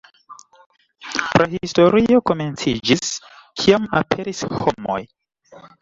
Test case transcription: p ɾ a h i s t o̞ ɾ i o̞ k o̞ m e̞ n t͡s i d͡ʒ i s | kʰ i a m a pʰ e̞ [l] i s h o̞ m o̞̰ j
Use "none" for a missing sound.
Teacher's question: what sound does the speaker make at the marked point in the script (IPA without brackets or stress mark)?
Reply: ɾ